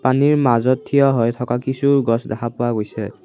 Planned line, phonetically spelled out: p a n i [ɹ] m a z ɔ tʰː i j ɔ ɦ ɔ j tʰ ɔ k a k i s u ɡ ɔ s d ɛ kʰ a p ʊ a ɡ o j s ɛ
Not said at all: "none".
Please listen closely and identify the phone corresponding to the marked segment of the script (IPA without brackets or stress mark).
ɹ